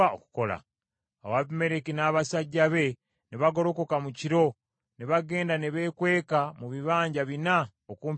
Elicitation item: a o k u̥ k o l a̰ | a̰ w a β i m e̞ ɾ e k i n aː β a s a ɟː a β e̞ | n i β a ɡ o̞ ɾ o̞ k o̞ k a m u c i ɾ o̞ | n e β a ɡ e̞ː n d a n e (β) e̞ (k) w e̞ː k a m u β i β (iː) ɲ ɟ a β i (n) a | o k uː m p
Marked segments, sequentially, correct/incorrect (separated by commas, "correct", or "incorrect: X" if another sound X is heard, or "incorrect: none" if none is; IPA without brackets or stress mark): correct, correct, incorrect: aː, correct